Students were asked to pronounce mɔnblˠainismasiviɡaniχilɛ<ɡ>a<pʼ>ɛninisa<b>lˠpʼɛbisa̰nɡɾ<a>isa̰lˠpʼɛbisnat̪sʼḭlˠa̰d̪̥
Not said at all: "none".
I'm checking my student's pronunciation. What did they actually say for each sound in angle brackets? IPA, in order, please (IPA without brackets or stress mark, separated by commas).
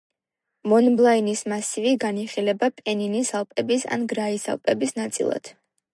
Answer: b, pʼ, none, a